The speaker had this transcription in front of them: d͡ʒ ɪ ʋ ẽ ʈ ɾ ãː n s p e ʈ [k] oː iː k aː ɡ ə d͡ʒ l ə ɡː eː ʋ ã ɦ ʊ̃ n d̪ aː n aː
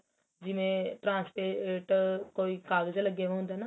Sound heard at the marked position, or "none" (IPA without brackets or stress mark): k